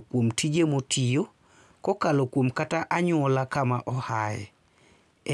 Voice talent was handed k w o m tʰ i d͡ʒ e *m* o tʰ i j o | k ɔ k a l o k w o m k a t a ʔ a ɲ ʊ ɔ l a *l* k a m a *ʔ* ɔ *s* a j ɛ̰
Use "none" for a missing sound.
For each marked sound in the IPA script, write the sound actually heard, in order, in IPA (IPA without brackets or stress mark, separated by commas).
m, none, ʔ, h